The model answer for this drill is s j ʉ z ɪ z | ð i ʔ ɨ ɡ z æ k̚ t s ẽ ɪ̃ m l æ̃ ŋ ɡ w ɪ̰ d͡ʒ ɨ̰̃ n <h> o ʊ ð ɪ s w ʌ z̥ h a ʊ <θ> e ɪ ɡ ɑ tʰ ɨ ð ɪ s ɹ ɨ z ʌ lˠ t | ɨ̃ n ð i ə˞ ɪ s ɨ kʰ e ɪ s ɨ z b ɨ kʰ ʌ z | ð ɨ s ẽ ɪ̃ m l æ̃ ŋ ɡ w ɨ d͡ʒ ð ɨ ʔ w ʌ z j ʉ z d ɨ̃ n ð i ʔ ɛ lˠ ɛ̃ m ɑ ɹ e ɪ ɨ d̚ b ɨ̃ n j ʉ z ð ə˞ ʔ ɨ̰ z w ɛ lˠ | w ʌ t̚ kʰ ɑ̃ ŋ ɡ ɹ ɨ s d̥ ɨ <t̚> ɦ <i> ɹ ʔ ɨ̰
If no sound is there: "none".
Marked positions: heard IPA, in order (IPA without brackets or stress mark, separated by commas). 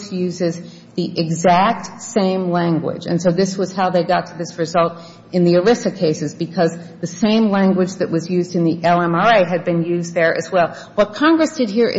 s, ð, d̚, i